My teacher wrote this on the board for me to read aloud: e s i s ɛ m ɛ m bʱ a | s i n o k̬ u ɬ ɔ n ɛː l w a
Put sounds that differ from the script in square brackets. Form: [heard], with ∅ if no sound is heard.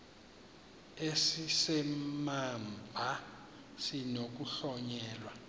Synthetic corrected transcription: e s i s ɛ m [a] m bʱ a | s i n o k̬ u ɬ ɔ [ɲ] ɛː l w a

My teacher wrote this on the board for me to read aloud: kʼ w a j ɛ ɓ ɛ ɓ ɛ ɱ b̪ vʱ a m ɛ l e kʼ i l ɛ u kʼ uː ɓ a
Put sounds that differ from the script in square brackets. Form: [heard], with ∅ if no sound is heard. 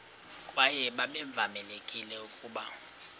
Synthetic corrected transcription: kʼ w a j ɛ ɓ [a] ɓ ɛ ɱ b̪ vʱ a m ɛ l e kʼ i l ɛ u kʼ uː ɓ a

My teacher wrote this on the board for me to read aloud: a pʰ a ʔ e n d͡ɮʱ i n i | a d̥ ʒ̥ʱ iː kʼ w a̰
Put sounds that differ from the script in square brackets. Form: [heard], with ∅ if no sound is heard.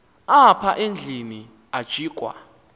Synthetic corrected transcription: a pʰ a ʔ e n d͡ɮʱ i n i | a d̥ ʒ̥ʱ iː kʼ w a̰

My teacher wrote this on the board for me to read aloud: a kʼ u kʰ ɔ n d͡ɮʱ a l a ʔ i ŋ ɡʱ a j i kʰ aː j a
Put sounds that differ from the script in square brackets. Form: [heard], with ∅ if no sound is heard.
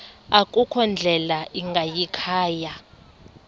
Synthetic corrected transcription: a kʼ u kʰ ɔ n d͡ɮʱ [ɛ] l a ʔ i ŋ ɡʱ a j i kʰ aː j a

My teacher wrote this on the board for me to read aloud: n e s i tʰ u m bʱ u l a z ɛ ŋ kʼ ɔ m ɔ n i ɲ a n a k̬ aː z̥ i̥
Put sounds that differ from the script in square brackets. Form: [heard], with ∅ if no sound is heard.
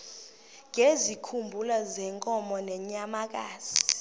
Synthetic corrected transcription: [ŋ] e [z] i [kʰ] u m bʱ u l a z ɛ ŋ kʼ ɔ m ɔ n [ɛ] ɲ a [m] a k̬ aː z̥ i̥

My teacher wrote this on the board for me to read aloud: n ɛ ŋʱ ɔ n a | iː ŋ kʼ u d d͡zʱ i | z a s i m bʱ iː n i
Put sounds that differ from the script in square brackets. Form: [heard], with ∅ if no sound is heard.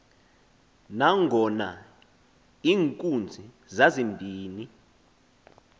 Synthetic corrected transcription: n [a] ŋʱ ɔ n a | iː ŋ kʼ u [n] d͡zʱ i | z a [z] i m bʱ iː n i

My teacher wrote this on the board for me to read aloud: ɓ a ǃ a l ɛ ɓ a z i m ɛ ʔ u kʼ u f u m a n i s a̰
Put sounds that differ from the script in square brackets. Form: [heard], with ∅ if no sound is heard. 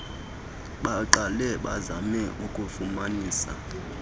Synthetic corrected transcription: ɓ a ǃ a l ɛ ɓ a z [a] m ɛ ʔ u kʼ u f u m a n [iː] s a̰

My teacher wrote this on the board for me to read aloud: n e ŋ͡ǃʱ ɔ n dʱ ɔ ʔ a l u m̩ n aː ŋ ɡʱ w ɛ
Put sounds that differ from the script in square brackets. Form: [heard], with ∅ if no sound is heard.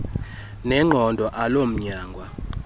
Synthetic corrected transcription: n [ɛ] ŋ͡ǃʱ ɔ n dʱ ɔ ʔ a l [o] m̩ [ɲ] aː ŋ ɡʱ w [a]

